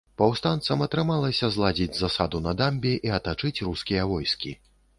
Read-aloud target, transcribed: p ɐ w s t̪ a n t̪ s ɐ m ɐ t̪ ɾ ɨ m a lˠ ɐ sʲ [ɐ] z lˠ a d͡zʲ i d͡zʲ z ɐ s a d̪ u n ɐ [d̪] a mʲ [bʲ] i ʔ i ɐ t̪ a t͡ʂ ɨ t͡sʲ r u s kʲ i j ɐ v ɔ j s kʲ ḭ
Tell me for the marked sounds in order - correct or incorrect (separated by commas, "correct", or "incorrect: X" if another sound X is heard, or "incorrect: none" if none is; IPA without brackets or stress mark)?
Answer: correct, correct, correct